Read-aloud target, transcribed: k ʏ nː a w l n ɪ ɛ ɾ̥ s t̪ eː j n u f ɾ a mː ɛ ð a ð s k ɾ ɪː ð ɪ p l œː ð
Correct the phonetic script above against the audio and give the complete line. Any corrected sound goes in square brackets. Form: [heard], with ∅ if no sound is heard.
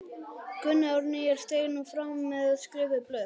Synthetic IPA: k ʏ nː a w [ɾ] n ɪ ɛ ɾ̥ s t̪ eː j n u f ɾ a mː ɛ ð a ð s k ɾ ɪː [v] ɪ p l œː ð